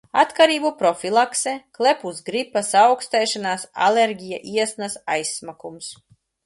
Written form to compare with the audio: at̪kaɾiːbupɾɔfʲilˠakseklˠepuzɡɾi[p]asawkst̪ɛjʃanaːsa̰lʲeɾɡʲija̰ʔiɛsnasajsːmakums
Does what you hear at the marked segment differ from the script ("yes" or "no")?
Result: no